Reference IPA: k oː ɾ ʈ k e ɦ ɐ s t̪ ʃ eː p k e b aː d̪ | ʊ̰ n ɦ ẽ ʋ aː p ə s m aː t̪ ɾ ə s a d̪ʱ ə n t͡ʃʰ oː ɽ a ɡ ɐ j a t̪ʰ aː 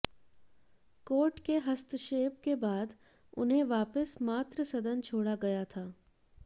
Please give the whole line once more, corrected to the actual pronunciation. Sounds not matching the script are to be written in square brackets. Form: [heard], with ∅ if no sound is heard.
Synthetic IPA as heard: k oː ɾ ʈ k e ɦ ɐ s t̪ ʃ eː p k e b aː d̪ | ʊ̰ n ɦ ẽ ʋ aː p ə s m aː t̪ ɾ ə s [ɐ] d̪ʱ ə n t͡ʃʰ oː ɽ a ɡ ɐ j a t̪ʰ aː